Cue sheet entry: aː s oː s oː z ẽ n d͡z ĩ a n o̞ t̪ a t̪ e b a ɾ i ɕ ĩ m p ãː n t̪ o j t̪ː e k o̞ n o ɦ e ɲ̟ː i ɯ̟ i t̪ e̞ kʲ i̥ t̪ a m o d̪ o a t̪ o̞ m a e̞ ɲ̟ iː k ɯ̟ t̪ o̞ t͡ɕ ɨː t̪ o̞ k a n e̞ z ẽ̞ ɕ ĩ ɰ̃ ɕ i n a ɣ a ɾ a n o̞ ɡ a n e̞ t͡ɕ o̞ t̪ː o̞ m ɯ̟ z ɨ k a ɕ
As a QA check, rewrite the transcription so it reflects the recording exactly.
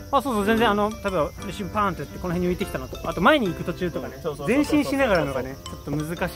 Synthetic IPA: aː s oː s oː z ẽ n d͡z ẽ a n o̞ t̪ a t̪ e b a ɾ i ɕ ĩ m p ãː n t̪ o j t̪ː e k o̞ n o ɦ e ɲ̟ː i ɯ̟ i t̪ e̞ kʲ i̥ t̪ a n o t̪ o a t̪ o̞ m a e̞ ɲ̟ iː k ɯ̟ t̪ o̞ t͡ɕ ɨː t̪ o̞ k a n e̞ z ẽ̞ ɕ ĩ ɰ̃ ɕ i n a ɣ a ɾ a n o̞ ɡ a n e̞ t͡ɕ o̞ t̪ː o̞ m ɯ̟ z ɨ k a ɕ